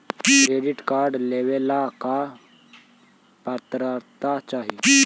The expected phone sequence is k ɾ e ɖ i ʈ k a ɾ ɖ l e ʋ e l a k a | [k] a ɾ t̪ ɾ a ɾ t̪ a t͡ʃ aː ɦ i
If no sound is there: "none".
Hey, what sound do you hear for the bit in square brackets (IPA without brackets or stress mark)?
p